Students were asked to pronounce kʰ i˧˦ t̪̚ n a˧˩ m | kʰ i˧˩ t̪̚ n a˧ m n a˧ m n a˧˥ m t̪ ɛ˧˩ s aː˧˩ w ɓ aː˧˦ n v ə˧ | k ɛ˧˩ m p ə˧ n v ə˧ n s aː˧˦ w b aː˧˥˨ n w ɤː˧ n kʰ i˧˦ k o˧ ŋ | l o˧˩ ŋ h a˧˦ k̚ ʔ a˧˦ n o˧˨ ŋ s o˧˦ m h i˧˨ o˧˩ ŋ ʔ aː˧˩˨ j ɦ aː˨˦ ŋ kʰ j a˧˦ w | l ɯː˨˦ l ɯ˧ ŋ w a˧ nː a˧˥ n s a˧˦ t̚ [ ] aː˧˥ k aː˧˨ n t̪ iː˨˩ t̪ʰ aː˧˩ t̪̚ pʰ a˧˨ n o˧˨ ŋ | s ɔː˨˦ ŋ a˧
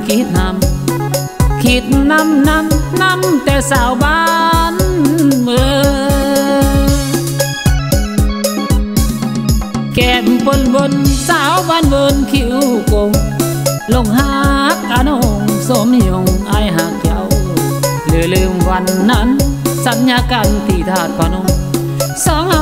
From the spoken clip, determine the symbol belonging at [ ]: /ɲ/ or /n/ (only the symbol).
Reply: ɲ